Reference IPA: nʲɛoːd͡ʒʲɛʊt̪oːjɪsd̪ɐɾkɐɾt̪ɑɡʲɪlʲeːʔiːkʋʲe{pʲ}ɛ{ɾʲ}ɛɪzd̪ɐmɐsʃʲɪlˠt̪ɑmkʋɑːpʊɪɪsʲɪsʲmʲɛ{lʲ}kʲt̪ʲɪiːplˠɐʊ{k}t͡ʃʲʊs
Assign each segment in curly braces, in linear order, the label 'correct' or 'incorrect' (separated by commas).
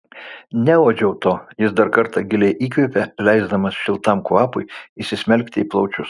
correct, incorrect, correct, incorrect